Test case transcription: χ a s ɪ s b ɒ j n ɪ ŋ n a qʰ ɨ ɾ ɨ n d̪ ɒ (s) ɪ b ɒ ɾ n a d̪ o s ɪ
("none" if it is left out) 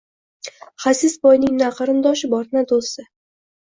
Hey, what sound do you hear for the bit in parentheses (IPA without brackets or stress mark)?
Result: ʃ